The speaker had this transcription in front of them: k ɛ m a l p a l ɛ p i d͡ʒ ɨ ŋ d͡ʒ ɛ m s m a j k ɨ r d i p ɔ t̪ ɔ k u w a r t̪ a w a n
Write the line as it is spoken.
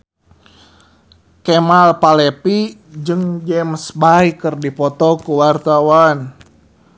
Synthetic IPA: k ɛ m a l p a l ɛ p i d͡ʒ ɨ ŋ d͡ʒ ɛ m s b a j k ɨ r d i p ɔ t̪ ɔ k u w a r t̪ a w a n